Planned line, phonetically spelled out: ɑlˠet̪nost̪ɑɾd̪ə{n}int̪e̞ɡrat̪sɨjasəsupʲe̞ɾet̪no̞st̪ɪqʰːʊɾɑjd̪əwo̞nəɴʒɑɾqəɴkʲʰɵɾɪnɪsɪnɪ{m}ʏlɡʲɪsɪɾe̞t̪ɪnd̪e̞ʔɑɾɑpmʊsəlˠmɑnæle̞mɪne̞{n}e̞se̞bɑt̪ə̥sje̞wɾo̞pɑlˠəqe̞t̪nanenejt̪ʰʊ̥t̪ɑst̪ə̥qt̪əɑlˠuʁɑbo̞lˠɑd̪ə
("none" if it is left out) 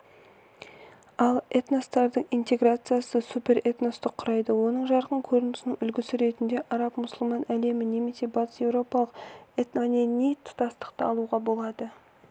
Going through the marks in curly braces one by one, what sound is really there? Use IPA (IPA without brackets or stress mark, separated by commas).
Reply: ɴ, ŋ, m